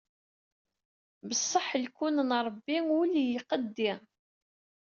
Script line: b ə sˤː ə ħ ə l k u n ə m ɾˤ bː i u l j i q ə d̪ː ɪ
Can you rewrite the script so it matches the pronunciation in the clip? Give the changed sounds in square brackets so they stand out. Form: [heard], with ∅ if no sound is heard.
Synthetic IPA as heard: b ə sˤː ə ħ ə l k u n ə [n] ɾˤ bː i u l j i q ə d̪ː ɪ